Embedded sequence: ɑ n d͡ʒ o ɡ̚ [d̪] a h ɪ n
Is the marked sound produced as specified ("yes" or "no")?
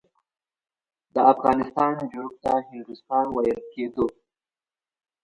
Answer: no